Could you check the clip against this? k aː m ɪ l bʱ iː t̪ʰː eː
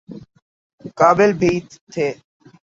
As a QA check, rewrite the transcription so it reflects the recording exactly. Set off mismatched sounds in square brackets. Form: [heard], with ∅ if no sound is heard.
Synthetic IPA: k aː [b] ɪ l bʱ iː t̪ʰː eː